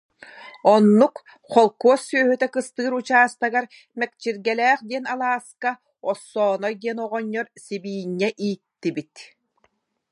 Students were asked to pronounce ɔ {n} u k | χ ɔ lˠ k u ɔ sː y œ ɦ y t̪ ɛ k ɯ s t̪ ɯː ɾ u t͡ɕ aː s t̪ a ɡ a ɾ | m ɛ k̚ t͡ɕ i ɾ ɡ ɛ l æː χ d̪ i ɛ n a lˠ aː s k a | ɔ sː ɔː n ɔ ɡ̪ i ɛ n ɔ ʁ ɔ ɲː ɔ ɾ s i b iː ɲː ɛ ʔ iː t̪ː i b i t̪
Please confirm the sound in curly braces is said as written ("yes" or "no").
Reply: no